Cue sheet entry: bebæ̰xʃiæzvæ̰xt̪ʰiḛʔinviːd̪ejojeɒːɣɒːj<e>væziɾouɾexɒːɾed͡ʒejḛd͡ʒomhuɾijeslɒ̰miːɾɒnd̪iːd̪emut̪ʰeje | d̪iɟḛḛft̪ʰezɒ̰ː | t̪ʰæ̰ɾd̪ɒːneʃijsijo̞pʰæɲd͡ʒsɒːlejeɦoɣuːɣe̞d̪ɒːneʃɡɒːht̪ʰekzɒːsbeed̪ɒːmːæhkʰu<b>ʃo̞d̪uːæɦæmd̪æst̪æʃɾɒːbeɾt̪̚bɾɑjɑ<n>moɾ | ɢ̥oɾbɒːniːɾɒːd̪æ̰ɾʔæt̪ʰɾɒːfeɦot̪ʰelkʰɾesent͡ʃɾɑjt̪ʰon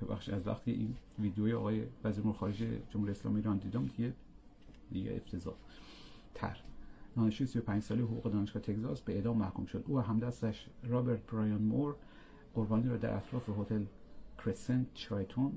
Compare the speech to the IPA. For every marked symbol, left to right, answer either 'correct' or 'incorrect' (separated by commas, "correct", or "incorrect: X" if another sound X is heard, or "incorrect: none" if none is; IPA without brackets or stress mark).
correct, incorrect: m, correct